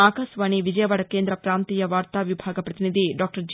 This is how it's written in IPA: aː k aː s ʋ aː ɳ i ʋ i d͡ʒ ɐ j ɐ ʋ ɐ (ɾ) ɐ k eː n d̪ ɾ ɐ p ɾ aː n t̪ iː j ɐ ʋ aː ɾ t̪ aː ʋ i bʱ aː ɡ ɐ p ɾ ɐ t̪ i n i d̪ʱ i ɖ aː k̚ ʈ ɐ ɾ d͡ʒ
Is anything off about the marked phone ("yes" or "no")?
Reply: yes